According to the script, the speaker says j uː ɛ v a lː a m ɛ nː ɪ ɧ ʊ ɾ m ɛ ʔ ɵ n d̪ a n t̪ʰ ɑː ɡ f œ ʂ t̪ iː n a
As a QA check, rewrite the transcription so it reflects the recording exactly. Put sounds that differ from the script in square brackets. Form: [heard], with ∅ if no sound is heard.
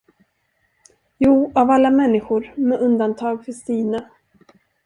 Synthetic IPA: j uː [a] v a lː a m ɛ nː ɪ ɧ ʊ ɾ m ɛ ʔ ɵ n d̪ a n t̪ʰ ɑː ɡ f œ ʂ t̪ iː n a

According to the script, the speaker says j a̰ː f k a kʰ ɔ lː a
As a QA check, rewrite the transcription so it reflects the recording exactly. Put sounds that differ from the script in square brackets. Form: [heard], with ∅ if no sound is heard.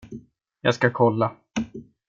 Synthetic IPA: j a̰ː [s] k a kʰ ɔ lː a

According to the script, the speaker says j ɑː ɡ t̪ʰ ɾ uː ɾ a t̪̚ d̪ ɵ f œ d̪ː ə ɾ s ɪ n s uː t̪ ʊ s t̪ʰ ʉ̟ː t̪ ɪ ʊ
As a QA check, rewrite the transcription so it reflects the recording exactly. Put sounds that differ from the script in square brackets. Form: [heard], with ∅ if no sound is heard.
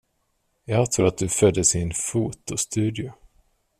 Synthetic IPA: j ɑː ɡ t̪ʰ ɾ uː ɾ a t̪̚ d̪ ɵ f œ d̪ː ə [∅] s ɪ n [f] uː t̪ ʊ s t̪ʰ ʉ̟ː [d̪] ɪ ʊ

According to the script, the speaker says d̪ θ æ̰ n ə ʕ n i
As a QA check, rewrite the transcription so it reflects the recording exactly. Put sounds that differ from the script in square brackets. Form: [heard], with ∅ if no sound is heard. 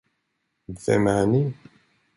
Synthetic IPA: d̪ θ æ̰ [m] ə ʕ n i

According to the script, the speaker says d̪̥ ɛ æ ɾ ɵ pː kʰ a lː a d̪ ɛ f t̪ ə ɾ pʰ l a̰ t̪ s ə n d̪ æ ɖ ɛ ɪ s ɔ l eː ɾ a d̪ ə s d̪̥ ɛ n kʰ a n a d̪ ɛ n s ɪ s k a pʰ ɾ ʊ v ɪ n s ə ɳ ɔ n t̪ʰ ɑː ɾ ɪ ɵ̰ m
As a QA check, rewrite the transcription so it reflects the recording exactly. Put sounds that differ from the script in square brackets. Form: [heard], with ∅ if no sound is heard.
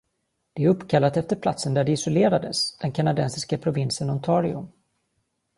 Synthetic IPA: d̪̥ ɛ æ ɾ ɵ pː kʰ a lː a [t̪] ɛ f t̪ ə ɾ pʰ l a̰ t̪ s ə n d̪ æ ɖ ɛ ɪ s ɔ l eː ɾ a d̪ ə s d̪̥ ɛ n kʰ a n a d̪ ɛ n s ɪ s k a pʰ ɾ ʊ v ɪ n s ə [n] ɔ n t̪ʰ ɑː ɾ ɪ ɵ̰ m

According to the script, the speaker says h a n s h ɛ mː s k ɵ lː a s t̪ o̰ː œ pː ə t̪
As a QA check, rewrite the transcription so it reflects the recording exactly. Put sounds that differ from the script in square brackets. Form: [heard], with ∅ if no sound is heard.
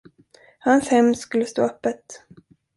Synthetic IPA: h a n s h ɛ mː s k ɵ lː [ə] s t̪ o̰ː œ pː ə t̪

